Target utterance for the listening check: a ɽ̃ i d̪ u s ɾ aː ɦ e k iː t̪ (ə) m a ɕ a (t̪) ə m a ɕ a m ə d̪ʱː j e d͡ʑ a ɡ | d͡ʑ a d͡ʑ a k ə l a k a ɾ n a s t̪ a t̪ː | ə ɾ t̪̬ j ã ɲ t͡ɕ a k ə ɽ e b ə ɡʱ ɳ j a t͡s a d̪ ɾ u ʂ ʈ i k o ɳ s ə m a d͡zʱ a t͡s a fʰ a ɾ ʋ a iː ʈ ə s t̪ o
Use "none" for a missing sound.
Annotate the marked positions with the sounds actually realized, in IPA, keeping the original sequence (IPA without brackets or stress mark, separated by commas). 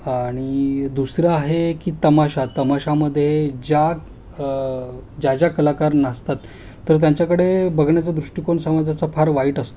ə, t̪